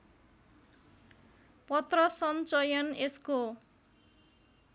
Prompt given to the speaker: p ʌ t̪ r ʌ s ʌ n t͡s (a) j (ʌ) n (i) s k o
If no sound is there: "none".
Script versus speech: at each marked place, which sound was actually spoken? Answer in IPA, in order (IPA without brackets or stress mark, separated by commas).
ʌ, ʌ, e